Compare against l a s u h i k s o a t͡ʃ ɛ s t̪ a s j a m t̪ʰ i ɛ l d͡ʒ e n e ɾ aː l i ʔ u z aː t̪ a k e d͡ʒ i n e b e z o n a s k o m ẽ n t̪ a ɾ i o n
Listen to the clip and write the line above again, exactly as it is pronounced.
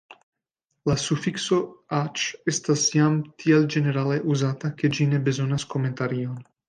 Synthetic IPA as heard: l a s u f i k s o a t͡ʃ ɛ s t̪ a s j a m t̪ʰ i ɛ l d͡ʒ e n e ɾ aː l e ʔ u z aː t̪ a k e d͡ʒ i n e b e z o n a s k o m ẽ n t̪ a ɾ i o n

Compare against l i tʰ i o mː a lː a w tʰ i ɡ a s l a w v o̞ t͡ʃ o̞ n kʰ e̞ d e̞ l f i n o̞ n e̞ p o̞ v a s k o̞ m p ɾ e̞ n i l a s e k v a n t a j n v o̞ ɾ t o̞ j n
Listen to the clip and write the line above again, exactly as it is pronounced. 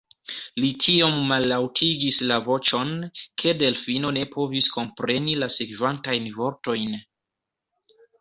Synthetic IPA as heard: l i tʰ i o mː a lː a w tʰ i ɡ i s l a v o̞ t͡ʃ o̞ n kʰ e̞ d e̞ l f i n o̞ n e̞ p o̞ v i s k o̞ m p ɾ e̞ n i l a s e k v a n t a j n v o̞ ɾ t o̞ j n

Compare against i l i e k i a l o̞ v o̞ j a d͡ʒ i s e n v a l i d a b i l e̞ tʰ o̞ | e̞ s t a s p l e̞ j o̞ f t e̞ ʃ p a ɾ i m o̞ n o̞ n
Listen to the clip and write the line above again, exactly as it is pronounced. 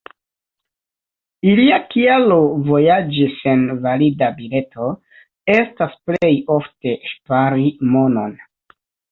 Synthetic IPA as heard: i l i a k i a l o̞ v o̞ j a d͡ʒ i s e n v a l i d a b i l e̞ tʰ o̞ | e̞ s t a s p l e̞ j o̞ f t e̞ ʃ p a ɾ i m o̞ n o̞ n

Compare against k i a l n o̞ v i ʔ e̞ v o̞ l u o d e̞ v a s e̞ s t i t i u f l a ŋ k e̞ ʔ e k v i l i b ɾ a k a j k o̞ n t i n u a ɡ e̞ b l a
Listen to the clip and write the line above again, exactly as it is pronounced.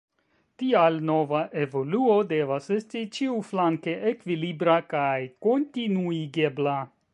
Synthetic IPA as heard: t i a l n o̞ v a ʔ e̞ v o̞ l u o d e̞ v a s e̞ s t i t͡ʃ i u f l a ŋ k e̞ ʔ e k v i l i b ɾ a k a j k o̞ n t i n u i ɡ e̞ b l a

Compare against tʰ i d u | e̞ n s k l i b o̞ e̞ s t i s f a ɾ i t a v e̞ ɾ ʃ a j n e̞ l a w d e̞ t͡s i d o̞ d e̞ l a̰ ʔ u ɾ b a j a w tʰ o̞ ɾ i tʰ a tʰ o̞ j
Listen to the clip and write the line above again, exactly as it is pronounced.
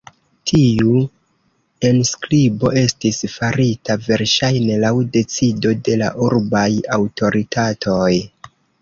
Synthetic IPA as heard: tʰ i u | e̞ n s k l i b o̞ e̞ s t i s f a ɾ i t a v e̞ ɾ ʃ a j n e̞ l a w d e̞ t͡s i d o̞ d e̞ l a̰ ʔ u ɾ b a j a w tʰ o̞ ɾ i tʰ a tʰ o̞ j

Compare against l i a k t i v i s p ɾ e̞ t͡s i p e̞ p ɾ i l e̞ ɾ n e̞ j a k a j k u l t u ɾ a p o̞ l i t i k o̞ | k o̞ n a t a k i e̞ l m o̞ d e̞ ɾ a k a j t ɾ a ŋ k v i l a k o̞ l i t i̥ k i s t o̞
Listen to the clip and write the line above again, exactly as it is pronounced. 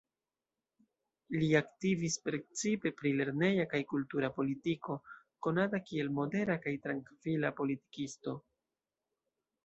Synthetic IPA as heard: l i a k t i v i s p ɾ e̞ t͡s i p e̞ p ɾ i l e̞ ɾ n e̞ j a k a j k u l t u ɾ a p o̞ l i t i k o̞ | k o̞ n a t a k i e̞ l m o̞ d e̞ ɾ a k a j t ɾ a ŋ k v i l a p o̞ l i t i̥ k i s t o̞

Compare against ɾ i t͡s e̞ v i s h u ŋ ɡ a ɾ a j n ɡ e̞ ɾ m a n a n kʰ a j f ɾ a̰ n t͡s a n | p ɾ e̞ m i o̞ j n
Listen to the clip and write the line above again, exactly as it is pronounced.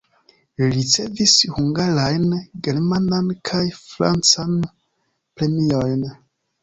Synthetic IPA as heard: ɾ i t͡s e̞ v i s h u ŋ ɡ a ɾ a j n ɡ e̞ ɾ m a n a n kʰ a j f ɾ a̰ n t͡s a n | p ɾ e̞ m i o̞ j n

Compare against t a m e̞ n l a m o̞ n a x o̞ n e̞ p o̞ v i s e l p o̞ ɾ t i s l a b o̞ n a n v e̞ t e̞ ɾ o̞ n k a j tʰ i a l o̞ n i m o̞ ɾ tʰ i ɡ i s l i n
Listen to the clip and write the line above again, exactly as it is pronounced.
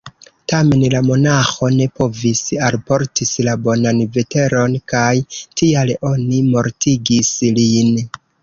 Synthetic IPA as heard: t a m e̞ n l a m o̞ n a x o̞ n e̞ p o̞ v i s a l p o̞ ɾ t i s l a b o̞ n a n v e̞ t e̞ ɾ o̞ n k a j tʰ i a l o̞ n i m o̞ ɾ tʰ i ɡ i s l i n

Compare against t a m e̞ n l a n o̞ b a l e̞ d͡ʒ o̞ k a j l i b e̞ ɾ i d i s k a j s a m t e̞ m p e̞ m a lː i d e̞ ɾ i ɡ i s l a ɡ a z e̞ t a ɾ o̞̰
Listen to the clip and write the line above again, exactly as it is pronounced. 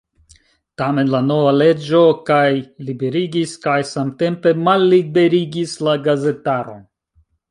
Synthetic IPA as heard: t a m e̞ n l a n o̞ v a l e̞ d͡ʒ o̞ k a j l i b e̞ ɾ i ɡ i s k a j s a m t e̞ m p e̞ m a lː i b e̞ ɾ i ɡ i s l a ɡ a z e̞ t a ɾ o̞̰

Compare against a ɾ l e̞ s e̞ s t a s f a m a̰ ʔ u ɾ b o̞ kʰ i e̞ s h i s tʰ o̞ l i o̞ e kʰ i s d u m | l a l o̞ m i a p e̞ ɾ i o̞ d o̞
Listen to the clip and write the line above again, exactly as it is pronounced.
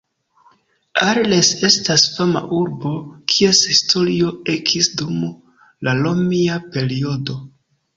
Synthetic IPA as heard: a ɾ l e̞ s e̞ s t a s f a m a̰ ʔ u ɾ b o̞ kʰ i e̞ s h i s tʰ o̞ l i o̞ e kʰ i s d u m | l a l o̞ m i a p e̞ ɾ i o̞ d o̞

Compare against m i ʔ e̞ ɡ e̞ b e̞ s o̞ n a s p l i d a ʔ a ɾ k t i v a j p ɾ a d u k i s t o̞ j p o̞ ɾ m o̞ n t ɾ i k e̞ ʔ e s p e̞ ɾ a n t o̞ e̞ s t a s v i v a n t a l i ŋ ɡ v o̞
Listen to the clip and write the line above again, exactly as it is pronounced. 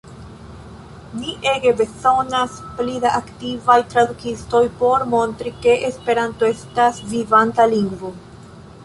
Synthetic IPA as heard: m i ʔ e̞ ɡ e̞ b e̞ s o̞ n a s p l i d a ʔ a k t i v a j t ɾ a d u k i s t o̞ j p o̞ ɾ m o̞ n t ɾ i k e̞ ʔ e s p e̞ ɾ a n t o̞ e̞ s t a s v i v a n t a l i ŋ ɡ v o̞

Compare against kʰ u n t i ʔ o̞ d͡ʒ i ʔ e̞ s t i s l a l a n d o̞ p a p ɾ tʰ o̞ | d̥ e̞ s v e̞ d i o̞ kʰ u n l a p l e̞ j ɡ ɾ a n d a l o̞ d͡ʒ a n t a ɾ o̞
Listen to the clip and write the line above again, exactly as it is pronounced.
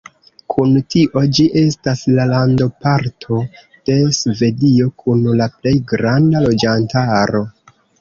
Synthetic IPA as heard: kʰ u n t i ʔ o̞ d͡ʒ i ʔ e̞ s t a s l a l a n d o̞ p a ɾ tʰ o̞ | d̥ e̞ s v e̞ d i o̞ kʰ u n l a p l e̞ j ɡ ɾ a n d a l o̞ d͡ʒ a n t a ɾ o̞

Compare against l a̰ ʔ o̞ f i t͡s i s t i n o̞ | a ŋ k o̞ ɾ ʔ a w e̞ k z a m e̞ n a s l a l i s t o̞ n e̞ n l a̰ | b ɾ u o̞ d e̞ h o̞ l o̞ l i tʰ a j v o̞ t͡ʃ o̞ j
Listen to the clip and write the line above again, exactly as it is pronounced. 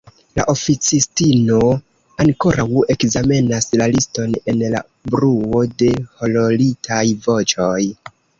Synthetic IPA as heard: l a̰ ʔ o̞ f i t͡s i s t i n o̞ | a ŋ k o̞ ɾ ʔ a w e̞ k z a m e̞ n a s l a l i s t o̞ n e̞ n l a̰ | b ɾ u o̞ d e̞ h o̞ l o̞ l i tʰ a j v o̞ t͡ʃ o̞ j

